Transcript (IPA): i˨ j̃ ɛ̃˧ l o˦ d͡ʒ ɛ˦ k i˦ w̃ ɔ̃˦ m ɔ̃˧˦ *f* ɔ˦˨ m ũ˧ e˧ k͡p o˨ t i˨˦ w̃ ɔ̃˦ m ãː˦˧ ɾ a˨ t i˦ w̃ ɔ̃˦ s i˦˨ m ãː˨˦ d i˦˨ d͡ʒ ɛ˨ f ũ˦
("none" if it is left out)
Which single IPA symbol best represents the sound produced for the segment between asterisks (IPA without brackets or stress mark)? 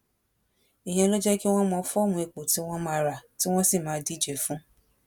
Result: f